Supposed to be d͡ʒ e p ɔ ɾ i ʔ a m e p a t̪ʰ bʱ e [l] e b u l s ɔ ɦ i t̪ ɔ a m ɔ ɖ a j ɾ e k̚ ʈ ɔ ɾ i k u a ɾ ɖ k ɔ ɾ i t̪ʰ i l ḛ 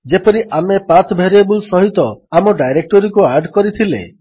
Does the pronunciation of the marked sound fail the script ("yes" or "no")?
yes